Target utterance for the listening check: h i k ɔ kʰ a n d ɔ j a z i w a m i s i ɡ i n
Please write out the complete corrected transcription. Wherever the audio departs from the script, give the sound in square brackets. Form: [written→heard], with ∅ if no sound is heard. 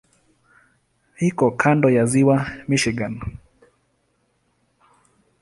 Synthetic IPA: h i k ɔ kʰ a n d ɔ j a z i w a m i [s→ʃ] i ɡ [i→a] n